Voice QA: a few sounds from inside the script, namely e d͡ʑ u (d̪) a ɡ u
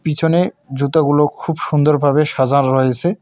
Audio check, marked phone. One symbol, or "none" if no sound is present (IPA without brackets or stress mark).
t̪